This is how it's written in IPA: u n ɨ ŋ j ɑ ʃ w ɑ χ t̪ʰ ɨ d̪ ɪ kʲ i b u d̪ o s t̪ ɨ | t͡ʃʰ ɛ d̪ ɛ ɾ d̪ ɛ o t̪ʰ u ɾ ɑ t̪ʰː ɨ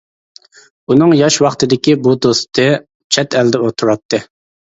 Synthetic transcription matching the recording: u n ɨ ŋ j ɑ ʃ w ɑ χ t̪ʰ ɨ d̪ ɪ kʲ i b u d̪ o s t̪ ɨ | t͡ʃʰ ɛ t̪ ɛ l d̪ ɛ o t̪ʰ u ɾ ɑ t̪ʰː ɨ